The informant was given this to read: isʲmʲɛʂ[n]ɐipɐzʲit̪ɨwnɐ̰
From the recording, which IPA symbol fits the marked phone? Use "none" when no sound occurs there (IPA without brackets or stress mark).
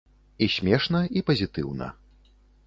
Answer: n